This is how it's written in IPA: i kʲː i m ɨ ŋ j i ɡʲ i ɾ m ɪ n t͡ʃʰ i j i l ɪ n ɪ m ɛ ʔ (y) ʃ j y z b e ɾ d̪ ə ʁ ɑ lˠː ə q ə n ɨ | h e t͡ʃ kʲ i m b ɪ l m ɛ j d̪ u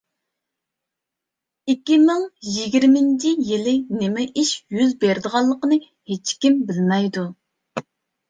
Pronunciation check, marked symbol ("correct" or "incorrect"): incorrect